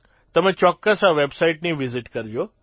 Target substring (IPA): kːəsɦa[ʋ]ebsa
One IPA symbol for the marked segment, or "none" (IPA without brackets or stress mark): ʋ